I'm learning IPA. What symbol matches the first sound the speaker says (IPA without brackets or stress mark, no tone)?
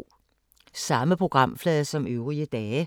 s